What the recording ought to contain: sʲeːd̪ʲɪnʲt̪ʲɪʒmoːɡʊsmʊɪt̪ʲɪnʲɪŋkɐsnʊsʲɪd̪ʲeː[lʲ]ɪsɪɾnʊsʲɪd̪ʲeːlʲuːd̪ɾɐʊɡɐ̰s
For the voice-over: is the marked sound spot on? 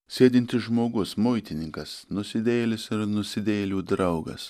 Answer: yes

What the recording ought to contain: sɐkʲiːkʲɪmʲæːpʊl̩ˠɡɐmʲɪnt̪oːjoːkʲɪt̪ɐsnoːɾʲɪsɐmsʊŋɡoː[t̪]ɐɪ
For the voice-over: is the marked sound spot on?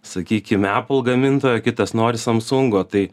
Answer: yes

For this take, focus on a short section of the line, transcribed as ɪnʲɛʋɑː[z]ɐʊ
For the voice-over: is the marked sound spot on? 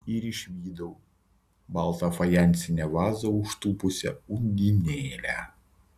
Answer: yes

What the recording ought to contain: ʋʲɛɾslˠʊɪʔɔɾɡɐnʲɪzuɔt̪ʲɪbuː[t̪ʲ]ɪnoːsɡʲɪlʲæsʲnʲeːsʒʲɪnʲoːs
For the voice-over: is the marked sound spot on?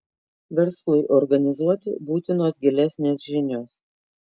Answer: yes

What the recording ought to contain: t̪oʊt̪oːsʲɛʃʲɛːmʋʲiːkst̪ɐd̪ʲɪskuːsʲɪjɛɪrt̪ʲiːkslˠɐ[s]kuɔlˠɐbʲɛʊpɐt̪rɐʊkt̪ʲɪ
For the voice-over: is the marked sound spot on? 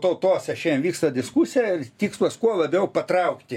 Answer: yes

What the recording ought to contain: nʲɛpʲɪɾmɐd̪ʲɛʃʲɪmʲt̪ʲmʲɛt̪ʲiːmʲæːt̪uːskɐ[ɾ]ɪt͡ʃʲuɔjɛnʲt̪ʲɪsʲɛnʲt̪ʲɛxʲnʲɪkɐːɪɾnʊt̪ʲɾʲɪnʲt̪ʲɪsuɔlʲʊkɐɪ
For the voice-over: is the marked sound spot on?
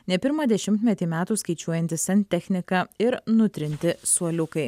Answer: no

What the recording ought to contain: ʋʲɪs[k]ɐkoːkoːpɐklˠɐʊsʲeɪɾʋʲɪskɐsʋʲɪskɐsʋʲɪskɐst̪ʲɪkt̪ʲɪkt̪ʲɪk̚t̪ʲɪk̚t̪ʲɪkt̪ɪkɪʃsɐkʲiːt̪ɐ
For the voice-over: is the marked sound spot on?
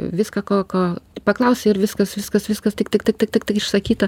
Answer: yes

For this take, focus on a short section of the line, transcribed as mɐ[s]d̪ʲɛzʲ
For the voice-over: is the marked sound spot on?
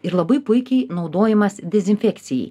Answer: yes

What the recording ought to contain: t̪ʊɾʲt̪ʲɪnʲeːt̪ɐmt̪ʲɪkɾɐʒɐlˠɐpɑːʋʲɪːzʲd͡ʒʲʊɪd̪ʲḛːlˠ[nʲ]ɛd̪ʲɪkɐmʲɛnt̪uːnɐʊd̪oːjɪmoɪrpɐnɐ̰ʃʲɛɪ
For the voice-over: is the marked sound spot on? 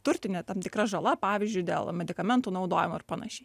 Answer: no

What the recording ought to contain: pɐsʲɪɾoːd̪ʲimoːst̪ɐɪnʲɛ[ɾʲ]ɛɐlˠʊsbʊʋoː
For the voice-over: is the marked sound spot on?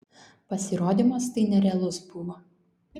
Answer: yes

